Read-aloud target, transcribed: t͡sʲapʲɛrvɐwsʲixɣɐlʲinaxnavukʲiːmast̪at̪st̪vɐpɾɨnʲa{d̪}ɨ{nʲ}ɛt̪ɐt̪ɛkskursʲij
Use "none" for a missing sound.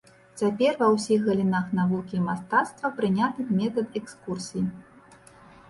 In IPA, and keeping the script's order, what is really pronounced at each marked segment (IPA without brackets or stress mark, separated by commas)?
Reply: t̪, mʲ